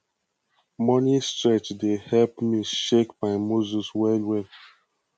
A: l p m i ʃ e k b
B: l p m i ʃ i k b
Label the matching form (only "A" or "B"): A